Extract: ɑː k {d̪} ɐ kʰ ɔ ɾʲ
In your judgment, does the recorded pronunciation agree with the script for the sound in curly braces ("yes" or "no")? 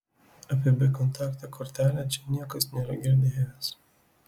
no